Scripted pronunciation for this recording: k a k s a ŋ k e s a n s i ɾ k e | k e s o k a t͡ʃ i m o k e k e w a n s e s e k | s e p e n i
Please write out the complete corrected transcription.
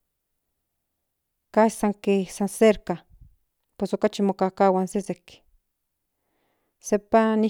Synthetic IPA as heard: k a s a ŋ k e s a n s e ɾ k a | p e s o k a t͡ʃ i m o k a k a w a n s e s e k | s e p a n i